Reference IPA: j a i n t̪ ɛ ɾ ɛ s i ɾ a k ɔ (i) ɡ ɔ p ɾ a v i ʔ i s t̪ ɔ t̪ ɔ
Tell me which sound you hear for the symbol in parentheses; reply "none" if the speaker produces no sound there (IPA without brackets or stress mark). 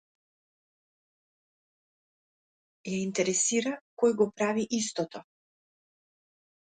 j